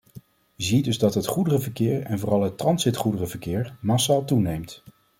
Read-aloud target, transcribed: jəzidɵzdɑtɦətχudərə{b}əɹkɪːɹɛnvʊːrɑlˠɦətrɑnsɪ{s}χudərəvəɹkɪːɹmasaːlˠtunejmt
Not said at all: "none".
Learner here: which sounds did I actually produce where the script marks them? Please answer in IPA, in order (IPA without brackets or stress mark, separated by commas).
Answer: v, t